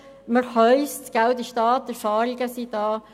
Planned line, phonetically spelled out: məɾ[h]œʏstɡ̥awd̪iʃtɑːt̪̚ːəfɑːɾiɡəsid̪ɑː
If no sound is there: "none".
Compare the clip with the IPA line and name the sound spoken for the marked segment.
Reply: h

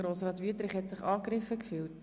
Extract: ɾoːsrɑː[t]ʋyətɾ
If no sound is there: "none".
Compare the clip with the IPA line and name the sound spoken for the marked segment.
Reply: t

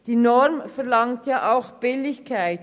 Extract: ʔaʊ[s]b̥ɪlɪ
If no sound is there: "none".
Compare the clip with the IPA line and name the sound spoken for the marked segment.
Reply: x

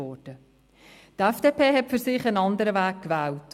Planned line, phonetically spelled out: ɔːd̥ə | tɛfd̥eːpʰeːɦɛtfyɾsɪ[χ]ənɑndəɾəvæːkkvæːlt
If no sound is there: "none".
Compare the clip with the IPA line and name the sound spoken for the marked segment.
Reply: χ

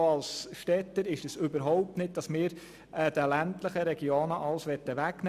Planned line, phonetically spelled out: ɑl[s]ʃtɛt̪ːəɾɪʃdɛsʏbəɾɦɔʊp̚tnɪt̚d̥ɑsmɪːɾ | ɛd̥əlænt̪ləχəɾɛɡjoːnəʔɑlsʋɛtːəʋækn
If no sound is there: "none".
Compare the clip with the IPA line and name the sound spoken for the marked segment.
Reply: s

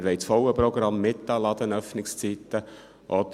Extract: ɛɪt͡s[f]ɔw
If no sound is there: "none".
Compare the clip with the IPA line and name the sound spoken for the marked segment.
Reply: f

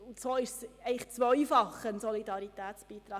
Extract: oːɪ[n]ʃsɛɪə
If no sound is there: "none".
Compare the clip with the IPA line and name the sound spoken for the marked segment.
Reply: none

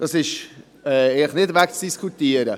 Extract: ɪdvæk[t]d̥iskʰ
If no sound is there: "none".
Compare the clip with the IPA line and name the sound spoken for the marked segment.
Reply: t͡s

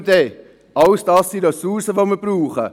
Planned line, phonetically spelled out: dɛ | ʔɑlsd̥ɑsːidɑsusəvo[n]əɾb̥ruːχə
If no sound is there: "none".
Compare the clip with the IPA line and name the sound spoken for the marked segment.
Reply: m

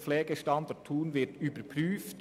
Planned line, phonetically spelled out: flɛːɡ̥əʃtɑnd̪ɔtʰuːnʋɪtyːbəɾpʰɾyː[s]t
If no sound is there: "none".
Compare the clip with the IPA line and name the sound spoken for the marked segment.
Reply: f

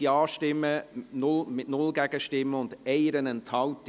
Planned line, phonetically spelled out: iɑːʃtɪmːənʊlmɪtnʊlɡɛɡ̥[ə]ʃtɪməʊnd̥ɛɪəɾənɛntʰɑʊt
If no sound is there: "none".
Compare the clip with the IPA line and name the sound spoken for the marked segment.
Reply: ə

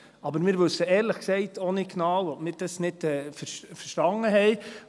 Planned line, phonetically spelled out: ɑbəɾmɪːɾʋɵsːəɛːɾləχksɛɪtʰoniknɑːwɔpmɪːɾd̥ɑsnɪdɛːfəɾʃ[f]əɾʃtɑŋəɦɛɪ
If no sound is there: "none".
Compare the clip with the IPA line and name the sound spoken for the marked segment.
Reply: f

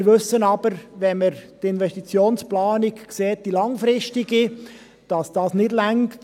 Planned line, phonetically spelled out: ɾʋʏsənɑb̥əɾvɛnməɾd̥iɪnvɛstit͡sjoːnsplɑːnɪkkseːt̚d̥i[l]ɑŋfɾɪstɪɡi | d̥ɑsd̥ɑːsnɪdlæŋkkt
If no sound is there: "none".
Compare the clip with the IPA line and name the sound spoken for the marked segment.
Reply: l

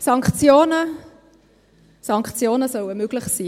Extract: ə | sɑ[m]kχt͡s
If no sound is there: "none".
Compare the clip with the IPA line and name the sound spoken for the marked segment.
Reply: ŋ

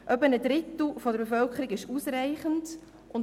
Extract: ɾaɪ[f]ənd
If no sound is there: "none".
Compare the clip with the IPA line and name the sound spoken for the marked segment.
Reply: χ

